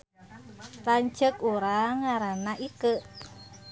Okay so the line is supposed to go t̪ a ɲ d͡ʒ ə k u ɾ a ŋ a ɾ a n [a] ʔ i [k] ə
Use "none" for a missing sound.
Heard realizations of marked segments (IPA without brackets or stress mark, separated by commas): a, k